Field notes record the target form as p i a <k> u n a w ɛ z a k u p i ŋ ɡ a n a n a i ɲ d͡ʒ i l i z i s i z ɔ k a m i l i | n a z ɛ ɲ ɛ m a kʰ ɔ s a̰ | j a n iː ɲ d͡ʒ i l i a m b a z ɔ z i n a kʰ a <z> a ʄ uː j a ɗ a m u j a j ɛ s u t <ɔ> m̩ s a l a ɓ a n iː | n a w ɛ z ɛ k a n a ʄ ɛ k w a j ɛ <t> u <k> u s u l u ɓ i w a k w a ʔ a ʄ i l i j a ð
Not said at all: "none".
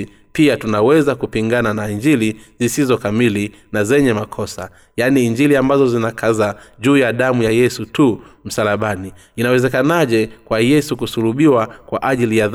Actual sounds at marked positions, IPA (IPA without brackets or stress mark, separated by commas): t, z, u, s, k